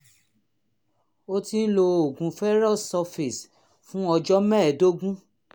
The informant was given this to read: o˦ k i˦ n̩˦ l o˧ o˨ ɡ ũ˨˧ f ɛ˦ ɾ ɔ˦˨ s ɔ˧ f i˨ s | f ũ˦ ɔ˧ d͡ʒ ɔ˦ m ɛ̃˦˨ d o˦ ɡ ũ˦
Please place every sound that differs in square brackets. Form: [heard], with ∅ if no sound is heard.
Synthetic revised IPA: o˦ [t] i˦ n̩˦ l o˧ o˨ ɡ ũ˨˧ f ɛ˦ ɾ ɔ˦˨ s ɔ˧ f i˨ s | f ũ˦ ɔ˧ d͡ʒ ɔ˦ m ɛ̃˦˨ d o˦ ɡ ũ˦

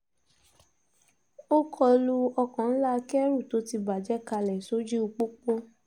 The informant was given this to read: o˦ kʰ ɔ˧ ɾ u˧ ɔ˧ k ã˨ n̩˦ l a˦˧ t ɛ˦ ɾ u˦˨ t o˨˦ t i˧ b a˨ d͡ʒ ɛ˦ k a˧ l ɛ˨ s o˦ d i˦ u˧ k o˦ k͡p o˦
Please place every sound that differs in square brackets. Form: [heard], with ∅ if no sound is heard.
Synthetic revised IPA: o˦ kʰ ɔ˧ [l] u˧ ɔ˧ k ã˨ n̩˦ l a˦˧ [k] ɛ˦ ɾ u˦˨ t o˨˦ t i˧ b a˨ d͡ʒ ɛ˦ k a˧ l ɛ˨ s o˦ [d͡ʒ] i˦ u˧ [k͡p] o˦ k͡p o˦

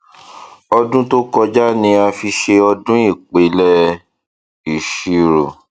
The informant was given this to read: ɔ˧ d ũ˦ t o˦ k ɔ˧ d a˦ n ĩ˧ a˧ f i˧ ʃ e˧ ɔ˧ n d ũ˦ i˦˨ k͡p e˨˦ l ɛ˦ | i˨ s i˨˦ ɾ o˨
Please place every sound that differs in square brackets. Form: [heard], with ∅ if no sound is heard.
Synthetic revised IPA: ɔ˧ d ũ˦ t o˦ k ɔ˧ [d͡ʒ] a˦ n ĩ˧ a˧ f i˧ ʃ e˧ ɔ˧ [∅] d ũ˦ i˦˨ k͡p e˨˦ l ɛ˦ | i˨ [ʃ] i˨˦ ɾ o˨

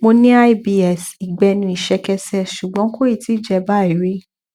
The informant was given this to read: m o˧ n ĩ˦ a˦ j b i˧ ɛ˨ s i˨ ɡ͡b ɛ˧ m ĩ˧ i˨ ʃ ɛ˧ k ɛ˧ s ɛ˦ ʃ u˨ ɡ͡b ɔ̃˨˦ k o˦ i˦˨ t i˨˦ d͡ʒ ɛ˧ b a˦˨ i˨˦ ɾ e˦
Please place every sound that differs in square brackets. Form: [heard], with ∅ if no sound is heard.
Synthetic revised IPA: m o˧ n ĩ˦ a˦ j b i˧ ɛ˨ s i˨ ɡ͡b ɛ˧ [n] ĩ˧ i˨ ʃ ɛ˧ k ɛ˧ s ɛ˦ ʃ u˨ ɡ͡b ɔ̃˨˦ k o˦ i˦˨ t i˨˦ d͡ʒ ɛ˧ b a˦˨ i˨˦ ɾ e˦

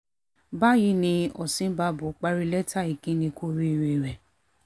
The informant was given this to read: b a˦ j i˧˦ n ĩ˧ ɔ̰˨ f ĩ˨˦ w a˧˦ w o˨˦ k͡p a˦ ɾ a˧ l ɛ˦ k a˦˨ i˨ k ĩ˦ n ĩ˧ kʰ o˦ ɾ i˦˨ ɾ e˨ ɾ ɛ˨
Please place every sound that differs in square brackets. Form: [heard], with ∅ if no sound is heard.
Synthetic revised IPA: b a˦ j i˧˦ n ĩ˧ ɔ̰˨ [s] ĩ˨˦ [b] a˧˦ [b] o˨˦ k͡p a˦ ɾ [i˧] l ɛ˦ [t] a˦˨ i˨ k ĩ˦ n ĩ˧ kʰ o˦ ɾ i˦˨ ɾ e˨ ɾ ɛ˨

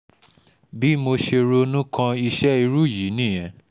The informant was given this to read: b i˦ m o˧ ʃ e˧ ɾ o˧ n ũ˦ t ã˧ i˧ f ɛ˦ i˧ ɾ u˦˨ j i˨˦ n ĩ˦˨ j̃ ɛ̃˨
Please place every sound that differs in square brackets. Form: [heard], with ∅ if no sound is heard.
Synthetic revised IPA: b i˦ m o˧ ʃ e˧ ɾ o˧ n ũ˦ [k] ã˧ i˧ [ʃ] ɛ˦ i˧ ɾ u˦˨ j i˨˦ n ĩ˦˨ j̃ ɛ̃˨

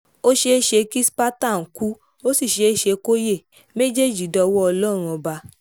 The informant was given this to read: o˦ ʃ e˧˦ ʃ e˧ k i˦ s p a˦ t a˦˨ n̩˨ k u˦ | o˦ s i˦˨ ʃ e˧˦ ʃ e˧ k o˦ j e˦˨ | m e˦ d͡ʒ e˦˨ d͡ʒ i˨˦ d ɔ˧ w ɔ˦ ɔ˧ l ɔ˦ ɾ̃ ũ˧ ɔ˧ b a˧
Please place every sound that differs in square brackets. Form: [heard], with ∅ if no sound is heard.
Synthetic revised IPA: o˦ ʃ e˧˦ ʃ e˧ k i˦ s p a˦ t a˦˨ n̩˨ k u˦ | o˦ s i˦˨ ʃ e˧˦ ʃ e˧ k o˦ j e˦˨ | m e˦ d͡ʒ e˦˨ d͡ʒ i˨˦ d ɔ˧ w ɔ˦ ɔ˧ l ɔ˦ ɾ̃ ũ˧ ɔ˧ b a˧

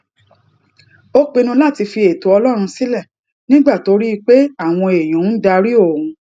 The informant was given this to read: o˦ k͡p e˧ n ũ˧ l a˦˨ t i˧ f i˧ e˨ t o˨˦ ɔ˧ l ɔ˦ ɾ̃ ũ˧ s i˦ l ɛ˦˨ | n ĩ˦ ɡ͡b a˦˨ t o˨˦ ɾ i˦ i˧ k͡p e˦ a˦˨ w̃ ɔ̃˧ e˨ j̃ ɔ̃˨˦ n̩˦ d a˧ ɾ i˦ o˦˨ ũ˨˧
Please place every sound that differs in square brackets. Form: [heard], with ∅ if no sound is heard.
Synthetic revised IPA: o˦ k͡p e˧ n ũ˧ l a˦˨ t i˧ f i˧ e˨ t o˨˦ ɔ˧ l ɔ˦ ɾ̃ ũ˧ s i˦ l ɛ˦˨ | n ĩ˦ ɡ͡b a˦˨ t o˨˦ ɾ i˦ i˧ k͡p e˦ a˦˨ w̃ ɔ̃˧ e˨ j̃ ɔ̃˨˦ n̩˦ d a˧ ɾ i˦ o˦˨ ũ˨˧

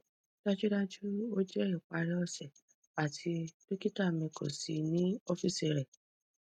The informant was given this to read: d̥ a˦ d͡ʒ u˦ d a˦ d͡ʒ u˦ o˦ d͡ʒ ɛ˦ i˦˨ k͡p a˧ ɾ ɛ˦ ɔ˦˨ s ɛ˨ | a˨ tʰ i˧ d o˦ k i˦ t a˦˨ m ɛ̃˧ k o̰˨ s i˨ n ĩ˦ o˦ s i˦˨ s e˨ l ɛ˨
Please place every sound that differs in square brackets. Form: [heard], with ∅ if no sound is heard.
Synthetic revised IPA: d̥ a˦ d͡ʒ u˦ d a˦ d͡ʒ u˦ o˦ d͡ʒ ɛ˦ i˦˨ k͡p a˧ ɾ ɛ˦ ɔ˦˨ s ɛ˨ | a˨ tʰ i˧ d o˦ k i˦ t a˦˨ m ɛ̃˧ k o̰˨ s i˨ n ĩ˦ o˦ [f] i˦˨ s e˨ [ɾ] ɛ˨

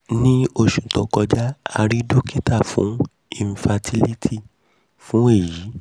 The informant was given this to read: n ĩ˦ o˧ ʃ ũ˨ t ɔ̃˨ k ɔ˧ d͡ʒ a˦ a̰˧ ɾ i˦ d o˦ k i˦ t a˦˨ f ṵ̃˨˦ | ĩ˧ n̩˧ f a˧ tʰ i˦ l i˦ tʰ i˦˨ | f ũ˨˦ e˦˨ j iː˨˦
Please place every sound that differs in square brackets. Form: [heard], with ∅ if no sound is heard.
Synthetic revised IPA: n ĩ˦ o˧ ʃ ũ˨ t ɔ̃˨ k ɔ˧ d͡ʒ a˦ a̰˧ ɾ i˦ d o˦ k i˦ t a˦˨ f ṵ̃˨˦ | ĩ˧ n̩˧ f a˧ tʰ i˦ l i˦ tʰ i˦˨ | f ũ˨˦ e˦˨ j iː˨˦

